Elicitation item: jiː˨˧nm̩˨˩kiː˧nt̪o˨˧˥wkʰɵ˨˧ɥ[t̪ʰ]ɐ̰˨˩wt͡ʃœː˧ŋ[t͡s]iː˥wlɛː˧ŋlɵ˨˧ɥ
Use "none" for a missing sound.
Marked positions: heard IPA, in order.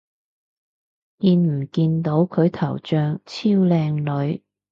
t̪ʰ, t͡sʰ

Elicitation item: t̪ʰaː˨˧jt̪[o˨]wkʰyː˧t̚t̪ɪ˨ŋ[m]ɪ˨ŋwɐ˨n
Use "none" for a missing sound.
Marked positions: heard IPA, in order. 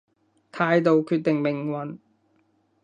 o˨, m

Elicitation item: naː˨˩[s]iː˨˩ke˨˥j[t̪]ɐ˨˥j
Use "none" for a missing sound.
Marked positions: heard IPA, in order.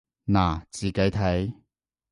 t͡s, t̪ʰ

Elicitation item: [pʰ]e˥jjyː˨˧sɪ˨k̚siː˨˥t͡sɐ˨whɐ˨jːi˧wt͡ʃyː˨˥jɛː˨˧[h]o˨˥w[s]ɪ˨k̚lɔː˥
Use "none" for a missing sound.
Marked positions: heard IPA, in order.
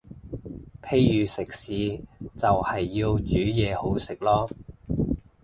pʰ, h, s

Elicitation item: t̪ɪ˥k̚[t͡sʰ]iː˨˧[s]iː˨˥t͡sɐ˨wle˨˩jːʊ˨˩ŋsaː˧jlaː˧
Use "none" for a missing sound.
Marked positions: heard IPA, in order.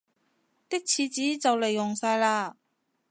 t͡sʰ, t͡s

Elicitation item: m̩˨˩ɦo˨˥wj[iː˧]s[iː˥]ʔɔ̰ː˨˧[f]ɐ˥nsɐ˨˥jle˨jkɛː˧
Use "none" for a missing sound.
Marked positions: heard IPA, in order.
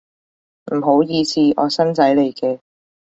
iː˧, iː˧, s

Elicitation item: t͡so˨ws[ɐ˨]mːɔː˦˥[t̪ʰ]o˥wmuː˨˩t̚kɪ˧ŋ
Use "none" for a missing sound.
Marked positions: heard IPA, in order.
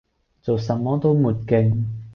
ɐ˨, t̪

